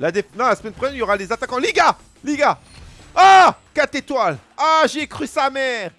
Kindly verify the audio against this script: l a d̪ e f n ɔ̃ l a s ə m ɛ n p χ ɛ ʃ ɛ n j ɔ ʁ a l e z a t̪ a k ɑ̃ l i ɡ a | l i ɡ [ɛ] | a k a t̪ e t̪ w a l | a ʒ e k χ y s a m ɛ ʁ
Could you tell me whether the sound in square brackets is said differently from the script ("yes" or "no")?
yes